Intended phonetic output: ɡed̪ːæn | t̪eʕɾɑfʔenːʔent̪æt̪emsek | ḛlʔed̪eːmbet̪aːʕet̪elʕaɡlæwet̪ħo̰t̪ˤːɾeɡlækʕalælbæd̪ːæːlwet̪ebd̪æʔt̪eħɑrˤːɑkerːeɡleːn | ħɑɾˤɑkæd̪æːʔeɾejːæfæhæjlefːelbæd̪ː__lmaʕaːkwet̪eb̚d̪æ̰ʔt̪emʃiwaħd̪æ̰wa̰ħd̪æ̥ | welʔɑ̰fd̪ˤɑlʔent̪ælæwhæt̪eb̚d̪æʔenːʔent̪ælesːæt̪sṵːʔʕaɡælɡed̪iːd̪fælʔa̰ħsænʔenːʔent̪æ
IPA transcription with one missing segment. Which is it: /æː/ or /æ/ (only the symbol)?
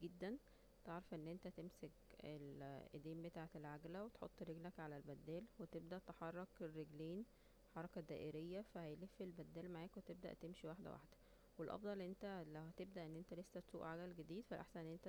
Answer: æː